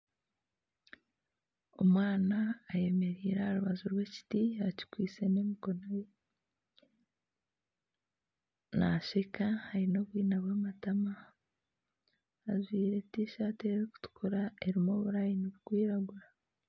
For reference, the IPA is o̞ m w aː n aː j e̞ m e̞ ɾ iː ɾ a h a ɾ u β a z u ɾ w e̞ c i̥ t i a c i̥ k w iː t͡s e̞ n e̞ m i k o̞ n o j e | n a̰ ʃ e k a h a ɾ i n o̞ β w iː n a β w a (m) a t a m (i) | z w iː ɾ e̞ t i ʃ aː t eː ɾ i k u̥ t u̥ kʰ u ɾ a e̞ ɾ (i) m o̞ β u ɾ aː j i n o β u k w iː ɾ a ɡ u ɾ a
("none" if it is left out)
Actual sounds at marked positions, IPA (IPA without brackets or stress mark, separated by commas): m, a, i